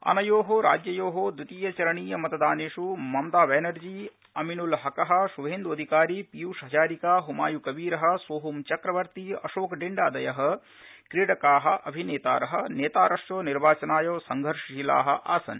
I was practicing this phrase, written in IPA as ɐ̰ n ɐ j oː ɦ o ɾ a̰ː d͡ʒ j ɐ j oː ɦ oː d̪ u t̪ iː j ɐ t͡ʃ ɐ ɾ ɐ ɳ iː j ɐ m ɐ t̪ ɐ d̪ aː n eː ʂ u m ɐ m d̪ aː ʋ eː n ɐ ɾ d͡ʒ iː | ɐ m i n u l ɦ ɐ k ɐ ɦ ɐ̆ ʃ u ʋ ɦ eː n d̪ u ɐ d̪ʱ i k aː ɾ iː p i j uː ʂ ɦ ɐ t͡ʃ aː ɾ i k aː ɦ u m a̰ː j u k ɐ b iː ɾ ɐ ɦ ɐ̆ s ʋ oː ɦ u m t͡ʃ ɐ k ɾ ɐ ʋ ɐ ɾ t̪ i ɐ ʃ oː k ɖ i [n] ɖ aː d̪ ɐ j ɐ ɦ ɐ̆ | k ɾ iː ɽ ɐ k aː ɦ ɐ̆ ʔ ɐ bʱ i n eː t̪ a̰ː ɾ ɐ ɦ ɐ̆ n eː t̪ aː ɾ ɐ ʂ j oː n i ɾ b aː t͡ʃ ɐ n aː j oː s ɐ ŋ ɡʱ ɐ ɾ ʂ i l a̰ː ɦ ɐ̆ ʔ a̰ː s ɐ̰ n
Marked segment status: incorrect: ɳ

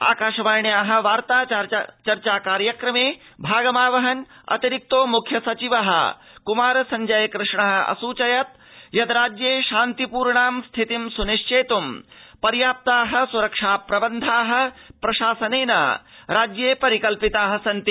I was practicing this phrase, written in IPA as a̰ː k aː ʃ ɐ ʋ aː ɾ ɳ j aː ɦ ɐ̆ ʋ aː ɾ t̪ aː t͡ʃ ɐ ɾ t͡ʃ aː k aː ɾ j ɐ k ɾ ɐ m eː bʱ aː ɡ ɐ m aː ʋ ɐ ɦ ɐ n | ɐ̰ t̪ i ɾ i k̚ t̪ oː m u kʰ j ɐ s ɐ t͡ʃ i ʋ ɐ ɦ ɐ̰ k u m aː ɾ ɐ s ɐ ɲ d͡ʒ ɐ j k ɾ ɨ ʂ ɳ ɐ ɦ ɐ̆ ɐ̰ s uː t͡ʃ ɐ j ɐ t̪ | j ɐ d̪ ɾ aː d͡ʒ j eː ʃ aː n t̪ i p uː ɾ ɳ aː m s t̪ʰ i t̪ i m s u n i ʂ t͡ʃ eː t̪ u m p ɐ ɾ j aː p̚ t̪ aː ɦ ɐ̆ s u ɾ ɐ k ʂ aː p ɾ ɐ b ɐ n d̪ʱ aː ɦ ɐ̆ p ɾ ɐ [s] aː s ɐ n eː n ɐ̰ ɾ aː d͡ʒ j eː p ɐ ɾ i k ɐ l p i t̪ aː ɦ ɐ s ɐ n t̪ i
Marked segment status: incorrect: ʃ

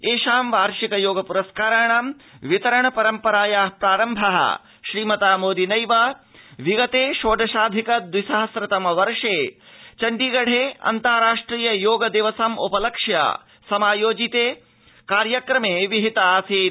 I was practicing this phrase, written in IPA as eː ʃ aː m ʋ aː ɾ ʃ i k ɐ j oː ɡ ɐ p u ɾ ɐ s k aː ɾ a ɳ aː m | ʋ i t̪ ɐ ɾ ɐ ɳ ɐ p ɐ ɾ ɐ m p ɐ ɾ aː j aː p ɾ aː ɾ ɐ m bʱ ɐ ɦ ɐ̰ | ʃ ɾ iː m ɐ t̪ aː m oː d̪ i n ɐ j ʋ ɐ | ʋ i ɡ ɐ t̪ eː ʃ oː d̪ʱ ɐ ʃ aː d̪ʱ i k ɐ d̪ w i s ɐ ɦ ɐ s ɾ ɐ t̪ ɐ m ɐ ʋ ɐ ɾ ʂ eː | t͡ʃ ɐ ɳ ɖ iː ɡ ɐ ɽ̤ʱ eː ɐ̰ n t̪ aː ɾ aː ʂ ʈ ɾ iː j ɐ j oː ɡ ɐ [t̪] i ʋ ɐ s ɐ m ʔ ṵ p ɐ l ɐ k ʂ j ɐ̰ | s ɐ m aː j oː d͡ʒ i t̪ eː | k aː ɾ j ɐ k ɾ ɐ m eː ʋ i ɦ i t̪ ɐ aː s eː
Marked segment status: incorrect: d̪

